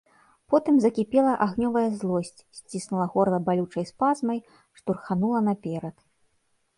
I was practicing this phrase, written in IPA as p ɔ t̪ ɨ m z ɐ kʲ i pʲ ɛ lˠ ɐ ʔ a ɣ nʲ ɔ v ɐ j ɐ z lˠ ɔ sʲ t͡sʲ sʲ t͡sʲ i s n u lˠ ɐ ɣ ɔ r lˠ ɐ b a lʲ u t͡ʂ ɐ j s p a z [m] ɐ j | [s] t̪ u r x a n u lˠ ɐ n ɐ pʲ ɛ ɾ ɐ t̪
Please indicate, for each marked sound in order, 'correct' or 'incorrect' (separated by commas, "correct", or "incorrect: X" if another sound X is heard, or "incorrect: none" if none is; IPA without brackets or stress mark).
correct, incorrect: ʂ